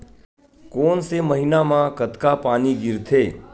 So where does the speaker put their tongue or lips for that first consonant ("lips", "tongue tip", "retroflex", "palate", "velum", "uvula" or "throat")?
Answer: velum